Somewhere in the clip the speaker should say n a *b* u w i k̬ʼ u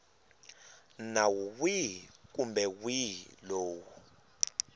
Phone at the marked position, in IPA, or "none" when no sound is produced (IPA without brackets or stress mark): w